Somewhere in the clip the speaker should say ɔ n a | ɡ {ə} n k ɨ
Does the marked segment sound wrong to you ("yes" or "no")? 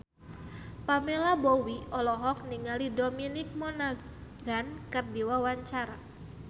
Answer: yes